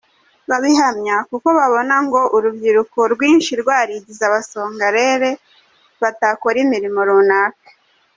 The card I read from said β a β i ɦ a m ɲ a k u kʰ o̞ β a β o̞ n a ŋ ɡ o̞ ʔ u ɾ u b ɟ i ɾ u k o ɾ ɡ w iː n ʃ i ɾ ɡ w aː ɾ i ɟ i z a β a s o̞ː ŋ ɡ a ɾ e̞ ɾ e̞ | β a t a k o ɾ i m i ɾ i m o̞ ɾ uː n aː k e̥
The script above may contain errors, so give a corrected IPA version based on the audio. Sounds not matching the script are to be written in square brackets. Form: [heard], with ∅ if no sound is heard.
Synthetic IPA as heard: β a β i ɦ a m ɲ a k u [k] o̞ β a β o̞ n a ŋ ɡ o̞ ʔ u ɾ u b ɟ i ɾ u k o ɾ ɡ w iː n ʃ i ɾ ɡ w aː ɾ i ɟ i z a β a s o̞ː ŋ ɡ a ɾ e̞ ɾ e̞ | β a t a k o ɾ i m i ɾ i m o̞ ɾ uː n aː k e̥